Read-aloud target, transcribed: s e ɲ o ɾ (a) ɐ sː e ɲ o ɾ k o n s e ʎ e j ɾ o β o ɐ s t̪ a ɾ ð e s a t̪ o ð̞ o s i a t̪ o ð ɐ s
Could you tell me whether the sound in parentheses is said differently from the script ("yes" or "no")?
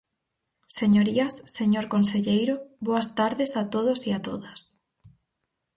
yes